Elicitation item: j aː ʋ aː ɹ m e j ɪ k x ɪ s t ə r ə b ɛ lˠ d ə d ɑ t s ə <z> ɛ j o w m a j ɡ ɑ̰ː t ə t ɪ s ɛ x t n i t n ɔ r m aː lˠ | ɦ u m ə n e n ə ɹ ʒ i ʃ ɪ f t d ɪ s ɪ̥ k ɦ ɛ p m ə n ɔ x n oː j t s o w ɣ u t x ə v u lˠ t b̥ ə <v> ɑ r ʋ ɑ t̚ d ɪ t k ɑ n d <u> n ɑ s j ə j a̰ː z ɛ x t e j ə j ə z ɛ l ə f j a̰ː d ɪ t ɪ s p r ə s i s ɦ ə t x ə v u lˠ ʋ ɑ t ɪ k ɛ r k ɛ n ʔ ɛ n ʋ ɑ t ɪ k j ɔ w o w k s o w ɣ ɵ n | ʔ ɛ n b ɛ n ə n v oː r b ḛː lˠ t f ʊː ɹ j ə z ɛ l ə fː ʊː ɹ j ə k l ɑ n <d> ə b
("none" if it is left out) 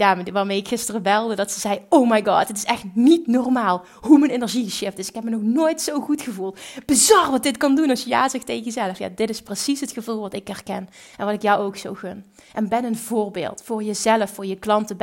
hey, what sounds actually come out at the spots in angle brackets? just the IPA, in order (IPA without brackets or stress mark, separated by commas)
z, z, u, t